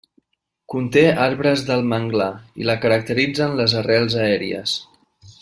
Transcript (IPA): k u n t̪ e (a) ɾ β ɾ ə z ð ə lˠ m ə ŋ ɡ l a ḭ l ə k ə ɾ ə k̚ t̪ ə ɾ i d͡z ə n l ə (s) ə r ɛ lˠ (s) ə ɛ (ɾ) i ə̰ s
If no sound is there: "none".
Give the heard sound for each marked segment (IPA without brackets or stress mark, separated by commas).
a, z, z, ɾ